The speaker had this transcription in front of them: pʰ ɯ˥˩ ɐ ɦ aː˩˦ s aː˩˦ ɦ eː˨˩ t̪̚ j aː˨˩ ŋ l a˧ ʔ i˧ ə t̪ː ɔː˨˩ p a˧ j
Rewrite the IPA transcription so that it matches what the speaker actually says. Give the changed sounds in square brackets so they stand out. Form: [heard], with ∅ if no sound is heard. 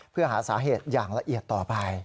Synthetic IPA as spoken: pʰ ɯ˥˩ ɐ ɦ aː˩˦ s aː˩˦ ɦ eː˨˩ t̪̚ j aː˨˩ ŋ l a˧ ʔ [i˨˩] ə t̪ː ɔː˨˩ p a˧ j